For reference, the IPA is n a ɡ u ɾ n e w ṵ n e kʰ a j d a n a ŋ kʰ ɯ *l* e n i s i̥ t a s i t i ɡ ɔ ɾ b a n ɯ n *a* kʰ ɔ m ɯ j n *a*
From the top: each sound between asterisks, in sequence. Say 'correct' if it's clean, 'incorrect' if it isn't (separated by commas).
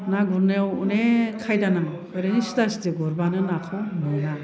incorrect, correct, correct